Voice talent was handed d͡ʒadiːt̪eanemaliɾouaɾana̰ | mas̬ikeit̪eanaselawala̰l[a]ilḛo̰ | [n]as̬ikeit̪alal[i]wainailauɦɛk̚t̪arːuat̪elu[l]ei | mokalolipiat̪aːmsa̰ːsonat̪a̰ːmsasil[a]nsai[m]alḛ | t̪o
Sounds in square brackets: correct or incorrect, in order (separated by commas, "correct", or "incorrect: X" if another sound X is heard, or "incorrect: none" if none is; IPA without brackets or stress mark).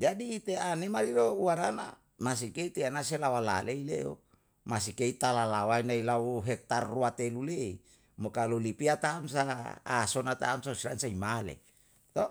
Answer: incorrect: e, incorrect: m, incorrect: a, correct, correct, correct